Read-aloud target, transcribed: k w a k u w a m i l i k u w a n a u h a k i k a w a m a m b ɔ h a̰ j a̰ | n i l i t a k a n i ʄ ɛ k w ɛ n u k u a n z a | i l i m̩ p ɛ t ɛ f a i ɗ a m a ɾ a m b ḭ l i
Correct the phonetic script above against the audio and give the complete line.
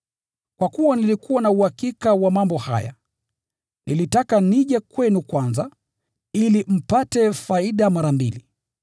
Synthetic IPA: k w a k u w a n i l i k u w a n a u h a k i k a w a m a m b ɔ h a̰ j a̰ | n i l i t a k a n i ʄ ɛ k w ɛ n u k w a n z a | i l i m̩ p a t ɛ f a i ɗ a m a ɾ a m b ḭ l i